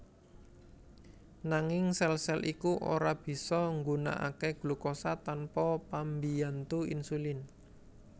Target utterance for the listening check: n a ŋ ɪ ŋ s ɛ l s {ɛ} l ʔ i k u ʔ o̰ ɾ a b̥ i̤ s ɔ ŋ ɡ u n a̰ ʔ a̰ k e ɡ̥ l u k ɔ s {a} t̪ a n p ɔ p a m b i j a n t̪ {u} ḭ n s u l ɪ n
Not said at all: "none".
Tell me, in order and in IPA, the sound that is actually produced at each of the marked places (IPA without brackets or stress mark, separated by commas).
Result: ɛ, a, u